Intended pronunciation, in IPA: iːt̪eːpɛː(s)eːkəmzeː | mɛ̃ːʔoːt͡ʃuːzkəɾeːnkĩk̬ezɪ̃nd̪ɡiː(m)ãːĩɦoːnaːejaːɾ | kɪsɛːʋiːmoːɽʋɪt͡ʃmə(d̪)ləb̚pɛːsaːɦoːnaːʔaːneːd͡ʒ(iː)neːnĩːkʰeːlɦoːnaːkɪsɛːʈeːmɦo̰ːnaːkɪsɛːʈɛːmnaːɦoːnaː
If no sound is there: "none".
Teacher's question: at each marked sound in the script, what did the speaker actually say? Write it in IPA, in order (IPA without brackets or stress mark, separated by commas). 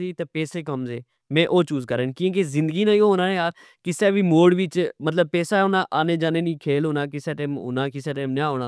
s, n, t̪, aː